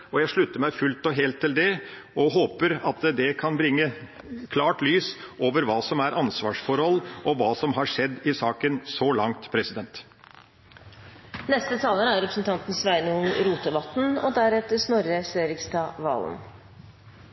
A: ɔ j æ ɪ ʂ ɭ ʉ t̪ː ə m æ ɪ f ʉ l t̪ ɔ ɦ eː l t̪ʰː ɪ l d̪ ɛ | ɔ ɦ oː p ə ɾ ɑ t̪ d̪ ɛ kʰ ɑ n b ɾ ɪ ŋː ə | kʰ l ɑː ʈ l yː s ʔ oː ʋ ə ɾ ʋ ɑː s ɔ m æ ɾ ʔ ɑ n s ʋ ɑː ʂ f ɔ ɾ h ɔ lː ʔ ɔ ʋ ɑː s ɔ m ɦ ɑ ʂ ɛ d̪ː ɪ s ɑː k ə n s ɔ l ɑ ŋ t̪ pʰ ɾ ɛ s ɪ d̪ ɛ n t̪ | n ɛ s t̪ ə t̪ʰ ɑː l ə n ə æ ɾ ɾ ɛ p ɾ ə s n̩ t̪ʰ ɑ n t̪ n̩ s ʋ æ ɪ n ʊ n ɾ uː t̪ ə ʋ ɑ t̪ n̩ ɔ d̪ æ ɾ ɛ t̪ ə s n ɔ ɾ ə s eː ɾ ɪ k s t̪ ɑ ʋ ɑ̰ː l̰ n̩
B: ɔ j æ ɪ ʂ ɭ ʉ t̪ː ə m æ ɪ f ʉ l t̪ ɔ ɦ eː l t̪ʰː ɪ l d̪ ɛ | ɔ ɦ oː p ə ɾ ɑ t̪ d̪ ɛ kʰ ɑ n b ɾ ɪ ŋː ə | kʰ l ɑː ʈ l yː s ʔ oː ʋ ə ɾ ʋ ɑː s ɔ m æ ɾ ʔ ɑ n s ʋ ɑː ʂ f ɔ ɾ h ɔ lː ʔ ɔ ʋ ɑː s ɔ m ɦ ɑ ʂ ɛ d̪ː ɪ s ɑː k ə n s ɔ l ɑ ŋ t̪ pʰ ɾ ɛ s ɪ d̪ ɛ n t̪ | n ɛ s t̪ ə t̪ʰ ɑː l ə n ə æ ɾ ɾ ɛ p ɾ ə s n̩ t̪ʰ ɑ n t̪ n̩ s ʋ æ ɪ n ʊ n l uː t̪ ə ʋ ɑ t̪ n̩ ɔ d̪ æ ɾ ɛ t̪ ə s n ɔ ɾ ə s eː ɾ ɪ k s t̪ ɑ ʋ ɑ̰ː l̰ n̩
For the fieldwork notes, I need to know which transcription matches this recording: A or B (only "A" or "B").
A